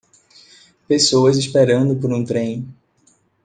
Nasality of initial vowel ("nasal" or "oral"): oral